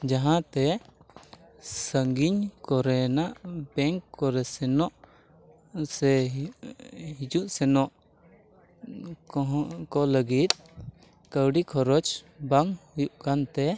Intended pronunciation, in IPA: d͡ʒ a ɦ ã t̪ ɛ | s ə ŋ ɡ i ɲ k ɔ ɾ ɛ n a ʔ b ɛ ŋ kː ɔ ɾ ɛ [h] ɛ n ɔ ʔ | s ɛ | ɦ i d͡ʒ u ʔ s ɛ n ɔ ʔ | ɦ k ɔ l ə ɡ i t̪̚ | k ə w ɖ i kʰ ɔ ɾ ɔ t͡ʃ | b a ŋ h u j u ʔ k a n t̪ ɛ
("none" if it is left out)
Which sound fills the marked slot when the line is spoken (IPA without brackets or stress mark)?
s